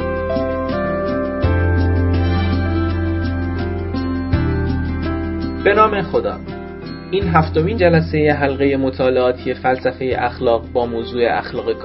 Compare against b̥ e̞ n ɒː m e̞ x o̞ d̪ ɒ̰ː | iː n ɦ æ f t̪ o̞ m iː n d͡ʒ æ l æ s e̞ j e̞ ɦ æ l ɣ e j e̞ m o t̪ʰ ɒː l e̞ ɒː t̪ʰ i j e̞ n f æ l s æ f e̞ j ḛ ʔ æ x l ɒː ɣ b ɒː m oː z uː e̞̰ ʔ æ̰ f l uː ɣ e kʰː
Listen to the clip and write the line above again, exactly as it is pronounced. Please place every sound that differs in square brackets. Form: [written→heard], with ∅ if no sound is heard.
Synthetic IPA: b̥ e̞ n ɒː m e̞ x o̞ d̪ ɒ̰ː | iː n ɦ æ f t̪ o̞ m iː n d͡ʒ æ l æ s e̞ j e̞ ɦ æ l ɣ e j e̞ m o t̪ʰ ɒː l e̞ ɒː t̪ʰ i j e̞ [n→∅] f æ l s æ f e̞ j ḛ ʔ æ x l ɒː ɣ b ɒː m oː z uː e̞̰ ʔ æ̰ [f→x] l [uː→ɒː] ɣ e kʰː